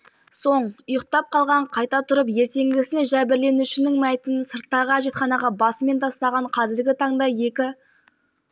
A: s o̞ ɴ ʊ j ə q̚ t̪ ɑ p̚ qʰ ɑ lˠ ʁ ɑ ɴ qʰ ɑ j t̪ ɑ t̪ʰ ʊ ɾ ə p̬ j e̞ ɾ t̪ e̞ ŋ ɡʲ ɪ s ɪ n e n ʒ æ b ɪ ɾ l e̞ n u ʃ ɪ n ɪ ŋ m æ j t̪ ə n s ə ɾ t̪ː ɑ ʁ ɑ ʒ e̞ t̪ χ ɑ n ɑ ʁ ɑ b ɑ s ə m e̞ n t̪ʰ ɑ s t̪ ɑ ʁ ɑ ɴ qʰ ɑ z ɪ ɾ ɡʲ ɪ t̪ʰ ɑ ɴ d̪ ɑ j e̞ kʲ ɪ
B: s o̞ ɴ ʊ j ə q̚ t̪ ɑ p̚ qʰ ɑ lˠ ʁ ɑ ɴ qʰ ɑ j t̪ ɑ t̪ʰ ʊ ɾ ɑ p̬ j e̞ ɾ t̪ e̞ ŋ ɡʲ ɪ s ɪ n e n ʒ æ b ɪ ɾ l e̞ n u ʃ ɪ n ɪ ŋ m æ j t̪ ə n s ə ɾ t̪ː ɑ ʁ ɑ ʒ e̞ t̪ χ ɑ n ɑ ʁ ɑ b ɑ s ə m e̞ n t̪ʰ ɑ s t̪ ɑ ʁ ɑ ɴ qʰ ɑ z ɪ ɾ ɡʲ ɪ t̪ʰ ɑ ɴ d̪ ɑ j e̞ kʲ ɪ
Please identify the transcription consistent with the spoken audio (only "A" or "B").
A